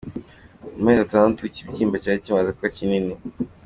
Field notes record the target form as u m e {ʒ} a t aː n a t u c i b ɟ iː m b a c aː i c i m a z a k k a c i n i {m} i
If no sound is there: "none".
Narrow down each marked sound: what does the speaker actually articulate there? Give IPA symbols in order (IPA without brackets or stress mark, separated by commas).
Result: z, n